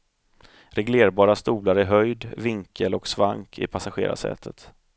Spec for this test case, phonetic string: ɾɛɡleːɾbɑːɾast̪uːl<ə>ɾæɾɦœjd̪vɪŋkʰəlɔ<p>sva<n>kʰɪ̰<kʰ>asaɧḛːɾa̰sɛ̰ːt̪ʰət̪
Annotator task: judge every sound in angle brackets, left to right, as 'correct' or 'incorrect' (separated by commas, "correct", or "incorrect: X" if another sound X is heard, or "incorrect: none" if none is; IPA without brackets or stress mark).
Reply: incorrect: a, incorrect: k, incorrect: ŋ, incorrect: pʰ